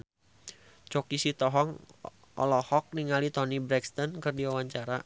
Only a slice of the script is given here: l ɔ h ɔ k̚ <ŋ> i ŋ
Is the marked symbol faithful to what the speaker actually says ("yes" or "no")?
no